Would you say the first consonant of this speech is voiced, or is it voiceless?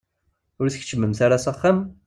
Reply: voiced